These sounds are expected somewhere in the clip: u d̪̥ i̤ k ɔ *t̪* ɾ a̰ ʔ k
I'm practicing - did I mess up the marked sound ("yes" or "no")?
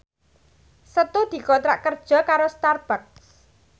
no